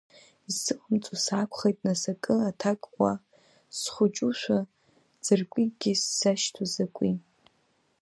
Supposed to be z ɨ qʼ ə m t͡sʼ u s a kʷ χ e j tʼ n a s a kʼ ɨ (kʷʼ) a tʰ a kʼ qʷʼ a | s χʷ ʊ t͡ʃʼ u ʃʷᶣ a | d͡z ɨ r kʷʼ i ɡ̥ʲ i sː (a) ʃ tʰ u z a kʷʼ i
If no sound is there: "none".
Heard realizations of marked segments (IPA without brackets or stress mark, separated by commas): none, a